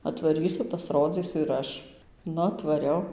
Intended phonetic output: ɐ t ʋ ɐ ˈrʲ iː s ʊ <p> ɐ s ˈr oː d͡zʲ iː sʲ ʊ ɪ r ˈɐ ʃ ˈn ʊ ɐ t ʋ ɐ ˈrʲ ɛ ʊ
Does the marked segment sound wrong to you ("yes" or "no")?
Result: no